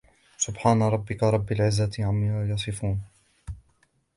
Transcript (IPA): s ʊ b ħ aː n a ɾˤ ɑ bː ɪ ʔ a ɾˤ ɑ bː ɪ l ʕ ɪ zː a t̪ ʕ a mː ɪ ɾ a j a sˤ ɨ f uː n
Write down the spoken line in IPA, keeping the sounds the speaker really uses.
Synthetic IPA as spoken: s ʊ b ħ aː n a ɾˤ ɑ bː ɪ k a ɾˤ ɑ bː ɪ l ʕ ɪ zː a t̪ ʕ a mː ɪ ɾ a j ɑ sˤ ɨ f uː n

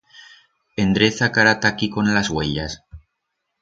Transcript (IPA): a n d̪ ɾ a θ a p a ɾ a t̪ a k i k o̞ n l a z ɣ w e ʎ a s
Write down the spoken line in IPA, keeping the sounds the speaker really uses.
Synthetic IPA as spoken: e n d̪ ɾ e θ a k a ɾ a t̪ a k i k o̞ n l a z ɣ w e ʎ a s

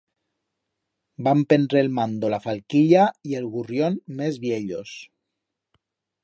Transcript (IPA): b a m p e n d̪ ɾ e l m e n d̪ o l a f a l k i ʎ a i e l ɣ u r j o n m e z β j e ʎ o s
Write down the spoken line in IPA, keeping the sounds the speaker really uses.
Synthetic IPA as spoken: b a m p e n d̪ ɾ e l m a n d̪ o l a f a l k i ʎ a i e l ɣ u r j o n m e z β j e ʎ o s

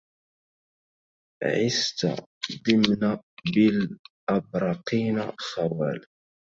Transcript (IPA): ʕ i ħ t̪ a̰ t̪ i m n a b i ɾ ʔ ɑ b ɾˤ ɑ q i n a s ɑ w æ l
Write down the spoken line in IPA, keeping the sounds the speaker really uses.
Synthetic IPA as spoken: ʕ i s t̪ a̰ d̪ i m n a b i l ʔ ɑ b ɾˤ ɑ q i n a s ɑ w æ l

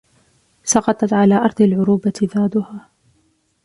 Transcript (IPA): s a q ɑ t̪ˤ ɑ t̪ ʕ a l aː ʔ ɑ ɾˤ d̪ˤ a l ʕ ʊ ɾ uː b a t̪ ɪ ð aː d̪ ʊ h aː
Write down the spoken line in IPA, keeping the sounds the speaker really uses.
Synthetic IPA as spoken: s ɑ q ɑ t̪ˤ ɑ t̪ ʕ a l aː ʔ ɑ ɾˤ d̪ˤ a l ʕ ʊ ɾ uː b a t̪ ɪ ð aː d̪ ʊ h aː

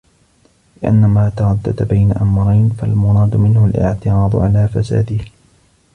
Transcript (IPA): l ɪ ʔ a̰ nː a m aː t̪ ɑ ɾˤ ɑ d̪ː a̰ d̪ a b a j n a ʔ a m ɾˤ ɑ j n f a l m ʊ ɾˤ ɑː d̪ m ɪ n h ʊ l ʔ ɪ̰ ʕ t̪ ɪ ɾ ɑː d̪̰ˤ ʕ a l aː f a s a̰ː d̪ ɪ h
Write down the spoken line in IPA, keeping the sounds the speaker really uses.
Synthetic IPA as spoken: l ɪ ʔ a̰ nː a m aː t̪ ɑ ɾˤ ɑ d̪ː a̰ d̪ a b a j n a ʔ a m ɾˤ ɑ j n f a l m ʊ ɾˤ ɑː d̪ m ɪ n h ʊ l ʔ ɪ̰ ʕ t̪ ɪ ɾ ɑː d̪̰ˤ ʕ a l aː f a s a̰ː d̪ ɪ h

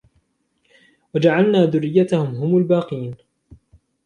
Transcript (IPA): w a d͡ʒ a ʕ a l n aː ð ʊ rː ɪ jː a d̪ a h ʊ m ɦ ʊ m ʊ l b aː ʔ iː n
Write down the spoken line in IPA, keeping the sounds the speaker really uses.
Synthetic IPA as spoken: w a d͡ʒ a ʕ a l n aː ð ʊ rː ɪ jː a t̪ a h ʊ m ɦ ʊ m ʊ l b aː q iː n

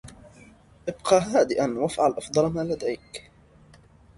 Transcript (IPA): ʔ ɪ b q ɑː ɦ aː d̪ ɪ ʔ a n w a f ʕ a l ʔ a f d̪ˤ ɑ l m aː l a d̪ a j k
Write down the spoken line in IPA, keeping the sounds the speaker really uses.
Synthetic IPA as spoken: ʔ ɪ b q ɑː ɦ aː d̪ ɪ ʔ a n w a f ʕ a l ʔ ɑ f d̪ˤ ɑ l m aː l a d̪ a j k

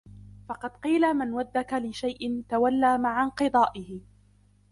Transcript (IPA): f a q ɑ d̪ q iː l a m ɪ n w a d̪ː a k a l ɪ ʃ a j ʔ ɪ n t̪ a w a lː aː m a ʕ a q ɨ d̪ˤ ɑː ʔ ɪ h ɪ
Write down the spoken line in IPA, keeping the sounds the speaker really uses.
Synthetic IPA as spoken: f ɑ q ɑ d̪ q iː l a m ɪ n w a d̪ː a k a l ɪ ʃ a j ʔ ɪ n t̪ a w a lː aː m a ʕ a q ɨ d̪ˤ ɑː ʔ ɪ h ɪ

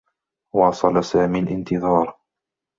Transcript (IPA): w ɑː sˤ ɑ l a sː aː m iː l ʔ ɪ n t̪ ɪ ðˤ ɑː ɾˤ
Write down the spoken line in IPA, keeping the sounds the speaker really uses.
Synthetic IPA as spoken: w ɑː sˤ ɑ l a s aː m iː l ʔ ɪ n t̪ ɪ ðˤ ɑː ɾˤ

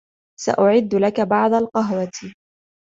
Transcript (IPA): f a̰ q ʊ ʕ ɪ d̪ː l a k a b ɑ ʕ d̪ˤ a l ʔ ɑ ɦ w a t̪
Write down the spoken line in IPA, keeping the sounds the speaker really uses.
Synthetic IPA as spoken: s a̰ ʔ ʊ ʕ ɪ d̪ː l a k a b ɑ ʕ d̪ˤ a l q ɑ ɦ w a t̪

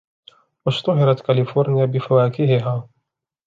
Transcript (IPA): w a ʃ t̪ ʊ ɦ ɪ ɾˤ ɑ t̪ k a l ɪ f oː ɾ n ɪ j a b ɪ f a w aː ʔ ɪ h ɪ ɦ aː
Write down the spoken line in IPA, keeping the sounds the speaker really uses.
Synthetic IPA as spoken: w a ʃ t̪ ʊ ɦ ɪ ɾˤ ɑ t̪ k a l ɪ f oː ɾ n ɪ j a b ɪ f a w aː k ɪ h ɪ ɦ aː

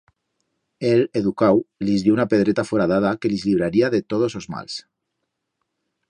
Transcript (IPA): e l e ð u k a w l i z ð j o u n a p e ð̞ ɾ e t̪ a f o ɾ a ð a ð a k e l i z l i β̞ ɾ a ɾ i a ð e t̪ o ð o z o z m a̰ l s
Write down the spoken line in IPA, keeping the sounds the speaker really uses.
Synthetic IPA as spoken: e l e ð u k a w l i z ð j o u n a p e ð̞ ɾ e t̪ a f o ɾ a ð a ð a k e l i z l i β̞ ɾ a ɾ i a ð e t̪ o ð o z o z m a̰ l s

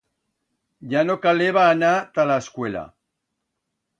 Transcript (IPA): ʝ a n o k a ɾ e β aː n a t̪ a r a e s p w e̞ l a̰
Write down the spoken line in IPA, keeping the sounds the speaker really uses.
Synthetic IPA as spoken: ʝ a n o k a l e β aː n a t̪ a l a e s k w e̞ l a̰

